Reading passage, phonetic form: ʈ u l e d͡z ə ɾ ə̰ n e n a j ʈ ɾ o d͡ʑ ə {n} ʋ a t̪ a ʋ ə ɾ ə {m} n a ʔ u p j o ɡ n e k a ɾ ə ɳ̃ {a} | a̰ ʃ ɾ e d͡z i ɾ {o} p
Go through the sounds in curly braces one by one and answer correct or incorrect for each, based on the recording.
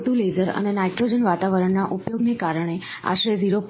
correct, incorrect, incorrect, correct

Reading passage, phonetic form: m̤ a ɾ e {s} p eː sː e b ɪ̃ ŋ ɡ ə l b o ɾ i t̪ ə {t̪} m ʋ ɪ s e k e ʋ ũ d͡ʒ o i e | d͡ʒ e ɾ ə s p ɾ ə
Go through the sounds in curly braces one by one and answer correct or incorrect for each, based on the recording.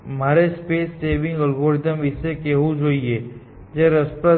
correct, incorrect

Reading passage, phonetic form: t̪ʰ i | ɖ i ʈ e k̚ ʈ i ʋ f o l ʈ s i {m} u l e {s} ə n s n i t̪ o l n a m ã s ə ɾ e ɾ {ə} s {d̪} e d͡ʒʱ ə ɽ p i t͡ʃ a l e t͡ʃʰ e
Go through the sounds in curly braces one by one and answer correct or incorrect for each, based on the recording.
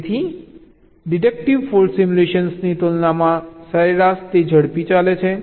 correct, incorrect, incorrect, incorrect

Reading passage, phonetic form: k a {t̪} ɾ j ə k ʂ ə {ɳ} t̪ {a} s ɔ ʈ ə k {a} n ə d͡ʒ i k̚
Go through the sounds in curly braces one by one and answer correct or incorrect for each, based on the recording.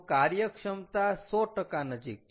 incorrect, incorrect, correct, correct

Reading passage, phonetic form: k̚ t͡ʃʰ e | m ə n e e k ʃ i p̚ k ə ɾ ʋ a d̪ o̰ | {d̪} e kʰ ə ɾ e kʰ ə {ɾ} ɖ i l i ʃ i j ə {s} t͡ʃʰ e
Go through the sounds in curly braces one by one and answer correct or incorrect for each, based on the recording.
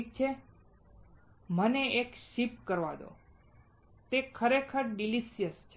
incorrect, correct, correct

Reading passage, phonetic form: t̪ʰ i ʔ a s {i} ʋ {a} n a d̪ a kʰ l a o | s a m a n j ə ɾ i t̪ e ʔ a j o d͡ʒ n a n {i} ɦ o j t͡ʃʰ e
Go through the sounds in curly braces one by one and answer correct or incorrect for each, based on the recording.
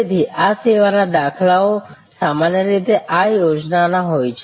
incorrect, correct, incorrect

